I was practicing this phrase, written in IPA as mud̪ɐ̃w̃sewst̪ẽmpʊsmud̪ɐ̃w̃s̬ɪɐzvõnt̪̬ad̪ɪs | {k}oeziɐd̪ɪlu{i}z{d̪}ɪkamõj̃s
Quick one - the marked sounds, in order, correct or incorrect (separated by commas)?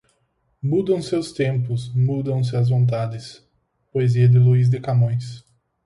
incorrect, correct, correct